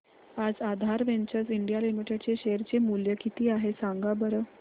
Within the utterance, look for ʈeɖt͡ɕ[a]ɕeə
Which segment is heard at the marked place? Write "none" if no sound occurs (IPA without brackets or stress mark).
e